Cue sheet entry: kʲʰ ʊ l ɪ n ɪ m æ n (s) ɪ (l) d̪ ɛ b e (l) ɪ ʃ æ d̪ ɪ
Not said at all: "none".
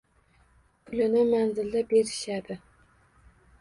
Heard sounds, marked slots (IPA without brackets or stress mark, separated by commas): z, l, ɾ